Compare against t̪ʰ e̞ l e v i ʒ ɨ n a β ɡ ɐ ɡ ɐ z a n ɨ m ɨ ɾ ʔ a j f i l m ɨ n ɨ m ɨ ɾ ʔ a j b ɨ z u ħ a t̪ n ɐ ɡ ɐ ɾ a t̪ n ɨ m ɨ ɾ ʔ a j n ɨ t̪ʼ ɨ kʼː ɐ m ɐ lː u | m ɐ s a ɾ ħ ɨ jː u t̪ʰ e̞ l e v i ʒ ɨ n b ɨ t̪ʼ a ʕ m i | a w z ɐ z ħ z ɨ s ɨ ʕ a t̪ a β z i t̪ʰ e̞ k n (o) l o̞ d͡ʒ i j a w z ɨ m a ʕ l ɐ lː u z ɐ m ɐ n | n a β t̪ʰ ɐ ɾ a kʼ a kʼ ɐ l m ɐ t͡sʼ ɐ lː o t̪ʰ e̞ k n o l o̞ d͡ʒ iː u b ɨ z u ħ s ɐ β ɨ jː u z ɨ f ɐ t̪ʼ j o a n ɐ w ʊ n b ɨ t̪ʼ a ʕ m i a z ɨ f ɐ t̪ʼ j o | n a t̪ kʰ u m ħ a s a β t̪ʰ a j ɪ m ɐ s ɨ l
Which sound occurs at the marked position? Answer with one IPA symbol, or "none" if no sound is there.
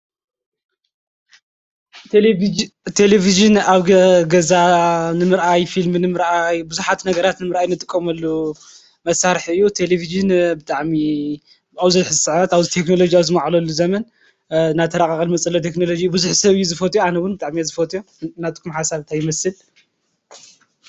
o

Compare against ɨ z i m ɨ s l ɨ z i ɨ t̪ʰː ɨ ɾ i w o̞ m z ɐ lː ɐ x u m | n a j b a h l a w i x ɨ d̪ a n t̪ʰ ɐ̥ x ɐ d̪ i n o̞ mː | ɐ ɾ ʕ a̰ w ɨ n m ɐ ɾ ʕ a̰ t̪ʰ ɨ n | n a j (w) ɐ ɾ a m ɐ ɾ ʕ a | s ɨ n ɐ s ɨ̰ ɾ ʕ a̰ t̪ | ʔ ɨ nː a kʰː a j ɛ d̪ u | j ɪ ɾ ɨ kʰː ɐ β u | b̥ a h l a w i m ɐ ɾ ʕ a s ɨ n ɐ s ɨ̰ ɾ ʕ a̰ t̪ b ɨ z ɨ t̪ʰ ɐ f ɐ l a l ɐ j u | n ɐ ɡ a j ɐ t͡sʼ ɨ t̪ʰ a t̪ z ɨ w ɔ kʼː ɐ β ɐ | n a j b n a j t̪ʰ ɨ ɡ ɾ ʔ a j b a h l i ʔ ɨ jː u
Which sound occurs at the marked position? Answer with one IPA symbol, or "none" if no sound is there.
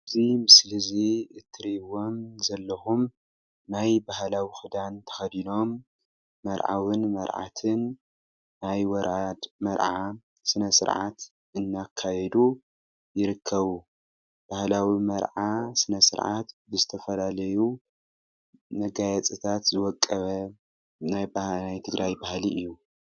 w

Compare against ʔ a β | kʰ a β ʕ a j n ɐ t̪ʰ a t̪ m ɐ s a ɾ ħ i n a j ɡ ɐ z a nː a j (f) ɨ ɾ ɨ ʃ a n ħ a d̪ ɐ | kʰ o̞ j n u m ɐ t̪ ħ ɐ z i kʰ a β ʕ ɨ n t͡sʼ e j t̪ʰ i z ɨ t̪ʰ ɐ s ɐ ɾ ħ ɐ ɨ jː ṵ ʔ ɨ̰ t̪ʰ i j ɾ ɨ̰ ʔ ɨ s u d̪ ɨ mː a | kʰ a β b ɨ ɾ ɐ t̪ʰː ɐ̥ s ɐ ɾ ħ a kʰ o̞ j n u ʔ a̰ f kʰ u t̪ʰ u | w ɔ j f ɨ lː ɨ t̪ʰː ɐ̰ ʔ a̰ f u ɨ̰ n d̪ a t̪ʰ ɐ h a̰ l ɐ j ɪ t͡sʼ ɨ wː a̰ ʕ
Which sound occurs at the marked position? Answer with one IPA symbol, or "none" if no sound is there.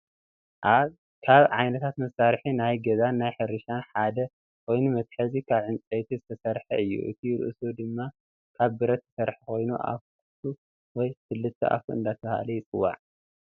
ħ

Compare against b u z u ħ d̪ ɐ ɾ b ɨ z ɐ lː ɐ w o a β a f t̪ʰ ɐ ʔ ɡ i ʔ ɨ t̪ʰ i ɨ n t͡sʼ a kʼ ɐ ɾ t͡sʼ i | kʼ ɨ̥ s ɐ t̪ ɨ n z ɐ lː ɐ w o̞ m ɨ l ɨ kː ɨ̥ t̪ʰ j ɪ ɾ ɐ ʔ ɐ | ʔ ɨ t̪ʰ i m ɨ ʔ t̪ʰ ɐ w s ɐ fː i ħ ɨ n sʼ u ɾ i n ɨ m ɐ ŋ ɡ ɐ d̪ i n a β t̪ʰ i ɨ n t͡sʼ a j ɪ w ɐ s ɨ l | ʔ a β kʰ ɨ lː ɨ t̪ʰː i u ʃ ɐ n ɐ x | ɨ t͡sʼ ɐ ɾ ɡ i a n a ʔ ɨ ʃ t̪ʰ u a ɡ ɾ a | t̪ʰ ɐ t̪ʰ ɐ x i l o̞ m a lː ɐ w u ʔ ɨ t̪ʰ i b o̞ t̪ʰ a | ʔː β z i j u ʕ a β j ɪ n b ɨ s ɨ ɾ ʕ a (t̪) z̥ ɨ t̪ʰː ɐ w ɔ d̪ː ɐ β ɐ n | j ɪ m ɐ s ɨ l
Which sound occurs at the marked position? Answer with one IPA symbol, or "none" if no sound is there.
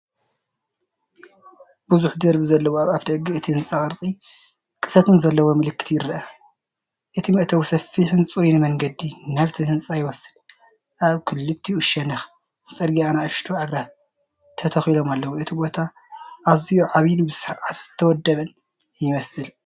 t̪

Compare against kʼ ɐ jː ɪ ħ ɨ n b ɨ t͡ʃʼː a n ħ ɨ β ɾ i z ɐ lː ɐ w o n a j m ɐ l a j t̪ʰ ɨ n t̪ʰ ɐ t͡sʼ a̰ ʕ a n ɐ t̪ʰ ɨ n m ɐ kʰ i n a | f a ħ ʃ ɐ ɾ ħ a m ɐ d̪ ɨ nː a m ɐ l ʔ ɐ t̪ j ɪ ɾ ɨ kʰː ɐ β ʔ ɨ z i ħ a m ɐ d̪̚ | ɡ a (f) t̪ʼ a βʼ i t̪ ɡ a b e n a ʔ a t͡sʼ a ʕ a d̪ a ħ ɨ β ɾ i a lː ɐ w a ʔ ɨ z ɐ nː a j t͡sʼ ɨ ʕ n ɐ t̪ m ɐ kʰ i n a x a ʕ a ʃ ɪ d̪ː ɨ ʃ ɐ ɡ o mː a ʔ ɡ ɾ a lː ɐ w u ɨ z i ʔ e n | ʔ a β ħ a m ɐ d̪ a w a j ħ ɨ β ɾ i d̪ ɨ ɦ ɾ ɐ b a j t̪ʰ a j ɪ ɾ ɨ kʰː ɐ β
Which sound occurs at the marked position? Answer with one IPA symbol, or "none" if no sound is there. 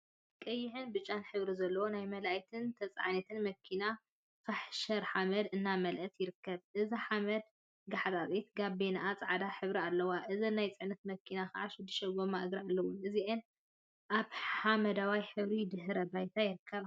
ħ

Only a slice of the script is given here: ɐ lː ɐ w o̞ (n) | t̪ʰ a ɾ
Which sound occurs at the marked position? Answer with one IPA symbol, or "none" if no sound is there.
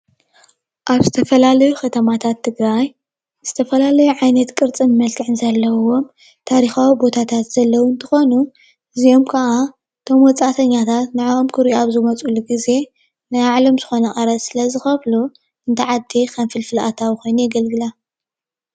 m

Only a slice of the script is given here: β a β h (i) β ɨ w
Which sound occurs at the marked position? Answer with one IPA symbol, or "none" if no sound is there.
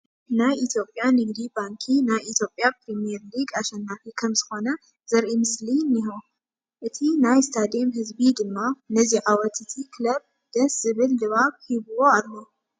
i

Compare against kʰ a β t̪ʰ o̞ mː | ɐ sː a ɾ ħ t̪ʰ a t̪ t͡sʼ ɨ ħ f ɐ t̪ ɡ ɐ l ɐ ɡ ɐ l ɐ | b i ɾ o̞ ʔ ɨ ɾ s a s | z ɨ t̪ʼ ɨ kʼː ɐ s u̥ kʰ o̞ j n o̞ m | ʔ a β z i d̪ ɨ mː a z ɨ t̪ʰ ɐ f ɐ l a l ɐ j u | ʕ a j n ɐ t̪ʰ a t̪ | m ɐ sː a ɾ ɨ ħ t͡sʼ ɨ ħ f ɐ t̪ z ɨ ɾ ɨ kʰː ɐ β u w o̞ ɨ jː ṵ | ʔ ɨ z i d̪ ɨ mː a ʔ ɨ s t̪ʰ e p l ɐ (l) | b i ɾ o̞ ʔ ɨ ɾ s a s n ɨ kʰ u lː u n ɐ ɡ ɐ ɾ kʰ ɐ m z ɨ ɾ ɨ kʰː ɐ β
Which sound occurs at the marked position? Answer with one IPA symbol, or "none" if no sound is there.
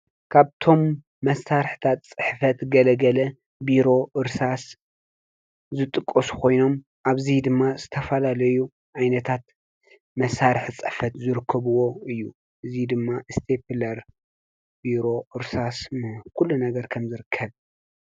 ɾ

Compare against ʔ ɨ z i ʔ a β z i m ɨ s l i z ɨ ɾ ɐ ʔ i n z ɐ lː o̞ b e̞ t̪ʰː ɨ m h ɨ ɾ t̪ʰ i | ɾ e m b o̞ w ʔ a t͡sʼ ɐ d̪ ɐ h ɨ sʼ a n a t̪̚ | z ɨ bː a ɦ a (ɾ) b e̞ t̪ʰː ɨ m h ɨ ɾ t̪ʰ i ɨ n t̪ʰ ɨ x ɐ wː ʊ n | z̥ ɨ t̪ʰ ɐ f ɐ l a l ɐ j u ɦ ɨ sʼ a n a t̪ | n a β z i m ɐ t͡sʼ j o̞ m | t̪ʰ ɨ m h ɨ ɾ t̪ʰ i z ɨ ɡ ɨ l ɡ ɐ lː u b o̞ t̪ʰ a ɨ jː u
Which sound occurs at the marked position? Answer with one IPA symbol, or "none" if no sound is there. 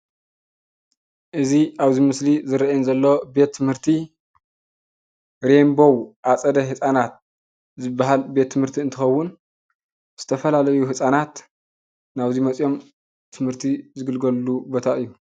l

